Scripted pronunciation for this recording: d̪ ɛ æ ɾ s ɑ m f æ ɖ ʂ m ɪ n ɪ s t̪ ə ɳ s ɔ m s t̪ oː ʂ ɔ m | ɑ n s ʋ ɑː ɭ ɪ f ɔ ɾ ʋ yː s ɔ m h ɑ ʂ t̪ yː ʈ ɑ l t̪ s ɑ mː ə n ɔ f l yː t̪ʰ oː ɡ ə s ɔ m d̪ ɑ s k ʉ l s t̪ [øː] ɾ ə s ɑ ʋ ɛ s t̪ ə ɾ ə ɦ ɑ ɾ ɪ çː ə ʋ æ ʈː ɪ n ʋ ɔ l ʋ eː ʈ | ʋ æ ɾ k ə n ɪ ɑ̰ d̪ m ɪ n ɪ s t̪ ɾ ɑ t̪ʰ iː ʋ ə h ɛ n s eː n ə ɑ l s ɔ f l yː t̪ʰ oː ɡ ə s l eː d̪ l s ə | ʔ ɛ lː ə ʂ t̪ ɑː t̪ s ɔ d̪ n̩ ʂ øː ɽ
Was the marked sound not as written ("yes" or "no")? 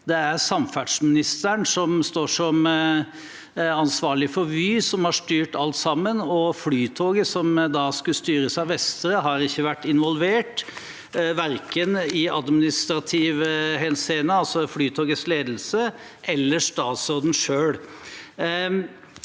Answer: yes